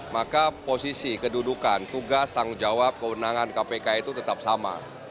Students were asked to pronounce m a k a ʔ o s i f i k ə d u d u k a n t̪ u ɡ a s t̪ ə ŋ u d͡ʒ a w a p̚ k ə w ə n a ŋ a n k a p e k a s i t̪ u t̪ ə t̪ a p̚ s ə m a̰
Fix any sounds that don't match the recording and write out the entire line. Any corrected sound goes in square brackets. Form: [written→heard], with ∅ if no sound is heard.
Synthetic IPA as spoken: m a k a [ʔ→p] o s i [f→s] i k ə d u d u k a n t̪ u ɡ a s t̪ [ə→a] ŋ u d͡ʒ a w a p̚ k ə w ə n a ŋ a n k a p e k a [s→∅] i t̪ u t̪ ə t̪ a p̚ s [ə→a] m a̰